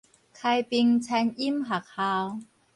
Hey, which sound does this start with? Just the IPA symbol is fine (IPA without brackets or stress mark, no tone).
kʰ